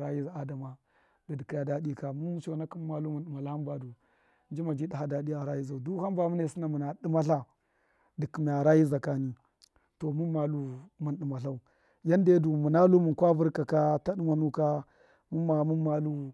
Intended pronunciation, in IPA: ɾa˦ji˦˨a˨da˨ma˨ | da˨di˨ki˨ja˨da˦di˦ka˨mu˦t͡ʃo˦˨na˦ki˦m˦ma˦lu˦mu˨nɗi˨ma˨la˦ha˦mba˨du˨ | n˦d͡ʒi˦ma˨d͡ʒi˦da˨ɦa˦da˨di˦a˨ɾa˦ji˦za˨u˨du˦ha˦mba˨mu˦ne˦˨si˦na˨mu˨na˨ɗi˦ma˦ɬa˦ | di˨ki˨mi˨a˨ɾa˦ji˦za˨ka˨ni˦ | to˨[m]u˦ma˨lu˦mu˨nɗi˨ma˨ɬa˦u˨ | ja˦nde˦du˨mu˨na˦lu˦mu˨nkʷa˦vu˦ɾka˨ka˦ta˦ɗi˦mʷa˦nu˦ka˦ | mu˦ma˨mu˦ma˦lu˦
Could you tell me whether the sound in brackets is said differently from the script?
no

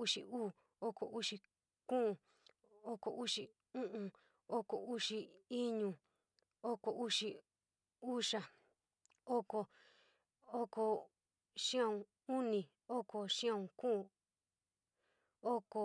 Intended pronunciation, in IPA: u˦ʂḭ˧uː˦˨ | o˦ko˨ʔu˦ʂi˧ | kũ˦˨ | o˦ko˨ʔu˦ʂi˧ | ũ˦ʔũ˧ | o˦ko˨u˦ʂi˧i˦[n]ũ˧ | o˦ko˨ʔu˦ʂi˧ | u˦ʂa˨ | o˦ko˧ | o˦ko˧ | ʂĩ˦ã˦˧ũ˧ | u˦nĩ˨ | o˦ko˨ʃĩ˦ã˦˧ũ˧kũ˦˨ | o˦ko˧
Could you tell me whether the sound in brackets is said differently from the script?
yes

